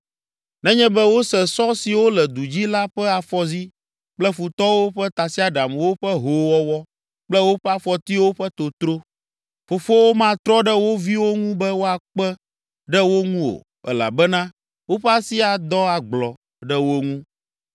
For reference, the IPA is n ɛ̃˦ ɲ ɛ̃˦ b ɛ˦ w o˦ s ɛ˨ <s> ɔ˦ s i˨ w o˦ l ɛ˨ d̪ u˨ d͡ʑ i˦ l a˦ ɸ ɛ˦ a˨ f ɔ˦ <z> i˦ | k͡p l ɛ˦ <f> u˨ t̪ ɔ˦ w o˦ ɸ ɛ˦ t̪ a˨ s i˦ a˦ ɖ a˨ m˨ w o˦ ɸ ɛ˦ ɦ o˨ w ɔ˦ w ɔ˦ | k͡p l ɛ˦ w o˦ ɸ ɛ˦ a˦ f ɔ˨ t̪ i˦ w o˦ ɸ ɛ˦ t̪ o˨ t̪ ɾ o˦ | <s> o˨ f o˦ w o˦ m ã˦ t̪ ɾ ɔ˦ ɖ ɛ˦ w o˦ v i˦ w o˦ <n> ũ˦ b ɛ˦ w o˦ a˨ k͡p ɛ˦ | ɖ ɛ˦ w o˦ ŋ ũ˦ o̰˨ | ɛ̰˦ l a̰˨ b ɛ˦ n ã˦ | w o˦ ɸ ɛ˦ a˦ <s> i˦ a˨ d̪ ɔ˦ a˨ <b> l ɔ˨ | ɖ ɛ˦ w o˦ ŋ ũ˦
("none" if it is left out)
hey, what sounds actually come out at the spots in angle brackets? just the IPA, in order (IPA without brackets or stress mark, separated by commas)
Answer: s, z, f, f, ŋ, s, ɡ͡b